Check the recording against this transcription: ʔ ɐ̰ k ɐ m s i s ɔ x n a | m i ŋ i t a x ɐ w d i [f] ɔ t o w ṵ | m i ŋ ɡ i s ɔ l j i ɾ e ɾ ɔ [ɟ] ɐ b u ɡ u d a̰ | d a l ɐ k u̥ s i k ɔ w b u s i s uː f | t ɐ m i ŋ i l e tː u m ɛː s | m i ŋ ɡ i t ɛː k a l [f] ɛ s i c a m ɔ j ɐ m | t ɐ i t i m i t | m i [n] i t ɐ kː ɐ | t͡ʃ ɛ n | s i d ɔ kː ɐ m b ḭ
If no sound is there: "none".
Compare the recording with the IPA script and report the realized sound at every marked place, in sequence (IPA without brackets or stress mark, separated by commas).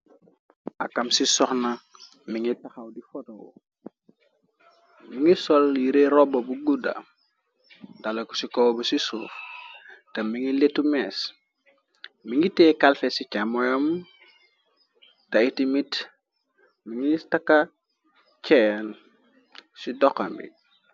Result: f, b, f, ŋ